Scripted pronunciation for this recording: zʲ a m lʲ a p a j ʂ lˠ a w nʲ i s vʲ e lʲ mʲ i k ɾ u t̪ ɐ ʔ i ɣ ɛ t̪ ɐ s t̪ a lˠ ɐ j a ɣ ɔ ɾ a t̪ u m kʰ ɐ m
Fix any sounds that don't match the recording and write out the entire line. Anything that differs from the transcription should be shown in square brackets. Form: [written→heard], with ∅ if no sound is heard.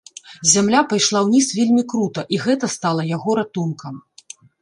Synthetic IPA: zʲ a m lʲ a p a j ʂ lˠ a w nʲ i s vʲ e lʲ mʲ i k ɾ u t̪ ɐ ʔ i ɣ ɛ t̪ ɐ s t̪ a lˠ ɐ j a ɣ ɔ ɾ a t̪ u [m→n] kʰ ɐ m